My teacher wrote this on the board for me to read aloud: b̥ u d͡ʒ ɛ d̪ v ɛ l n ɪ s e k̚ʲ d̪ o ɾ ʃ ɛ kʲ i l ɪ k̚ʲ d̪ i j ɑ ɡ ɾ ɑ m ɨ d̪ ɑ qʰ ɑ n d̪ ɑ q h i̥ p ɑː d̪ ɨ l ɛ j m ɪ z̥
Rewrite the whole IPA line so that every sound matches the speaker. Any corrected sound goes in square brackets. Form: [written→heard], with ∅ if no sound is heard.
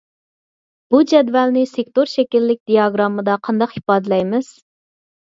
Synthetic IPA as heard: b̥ u d͡ʒ ɛ d̪ v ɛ l n ɪ s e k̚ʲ [d̪→t̪] o ɾ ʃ ɛ kʲ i [l→lː] ɪ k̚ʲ d̪ i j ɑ ɡ ɾ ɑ m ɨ d̪ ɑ qʰ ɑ n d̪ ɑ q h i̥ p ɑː d̪ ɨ l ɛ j m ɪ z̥